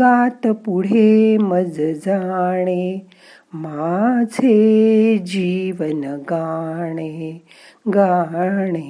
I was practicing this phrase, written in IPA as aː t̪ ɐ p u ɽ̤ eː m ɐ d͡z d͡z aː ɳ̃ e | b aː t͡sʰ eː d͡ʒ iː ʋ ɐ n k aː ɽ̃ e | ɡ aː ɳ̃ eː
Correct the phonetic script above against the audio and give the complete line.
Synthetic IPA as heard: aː t̪ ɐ p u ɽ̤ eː m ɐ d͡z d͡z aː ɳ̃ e | m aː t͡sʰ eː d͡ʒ iː ʋ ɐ n ɡ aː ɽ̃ e | ɡ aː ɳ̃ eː